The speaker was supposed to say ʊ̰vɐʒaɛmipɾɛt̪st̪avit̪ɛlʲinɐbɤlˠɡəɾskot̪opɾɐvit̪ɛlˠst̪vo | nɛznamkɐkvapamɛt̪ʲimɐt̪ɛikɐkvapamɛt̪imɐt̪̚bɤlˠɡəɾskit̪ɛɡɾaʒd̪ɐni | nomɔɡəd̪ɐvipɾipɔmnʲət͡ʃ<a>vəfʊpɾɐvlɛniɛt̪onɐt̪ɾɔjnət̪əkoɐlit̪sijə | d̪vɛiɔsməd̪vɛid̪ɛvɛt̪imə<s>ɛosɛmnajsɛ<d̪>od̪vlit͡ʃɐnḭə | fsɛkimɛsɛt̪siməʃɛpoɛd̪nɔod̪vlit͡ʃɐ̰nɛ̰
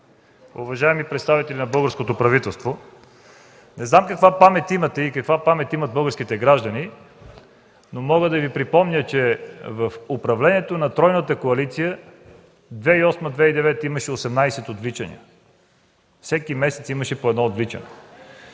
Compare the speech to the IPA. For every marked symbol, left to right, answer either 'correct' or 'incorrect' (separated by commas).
incorrect, incorrect, incorrect